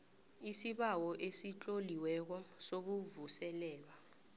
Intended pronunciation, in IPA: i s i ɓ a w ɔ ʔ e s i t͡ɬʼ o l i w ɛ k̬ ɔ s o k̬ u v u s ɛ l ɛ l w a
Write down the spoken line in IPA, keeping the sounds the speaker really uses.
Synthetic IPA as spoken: i s i ɓ a w ɔ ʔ e s i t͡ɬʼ o l i w ɛ k̬ ɔ s o k̬ u v u s ɛ l ɛː l w a